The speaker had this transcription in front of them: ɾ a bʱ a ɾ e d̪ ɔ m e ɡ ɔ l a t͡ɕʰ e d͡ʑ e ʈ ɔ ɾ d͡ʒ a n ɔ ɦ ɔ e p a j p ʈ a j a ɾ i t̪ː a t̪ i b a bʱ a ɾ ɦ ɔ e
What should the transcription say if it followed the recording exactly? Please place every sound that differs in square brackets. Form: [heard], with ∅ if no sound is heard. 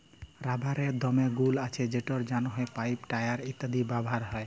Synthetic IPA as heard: ɾ a bʱ a ɾ e d̪ ɔ m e ɡ [u] l a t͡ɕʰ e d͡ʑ e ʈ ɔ ɾ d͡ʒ a n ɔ ɦ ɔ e p a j p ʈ a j a ɾ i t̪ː a [d̪] i b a bʱ a ɾ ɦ ɔ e